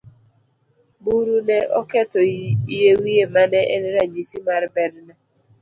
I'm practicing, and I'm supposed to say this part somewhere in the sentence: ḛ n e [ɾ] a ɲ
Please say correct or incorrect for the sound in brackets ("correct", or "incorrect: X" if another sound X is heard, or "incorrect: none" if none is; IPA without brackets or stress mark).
correct